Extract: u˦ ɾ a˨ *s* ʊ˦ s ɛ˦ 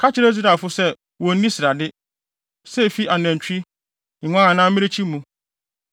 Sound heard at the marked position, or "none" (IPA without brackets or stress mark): f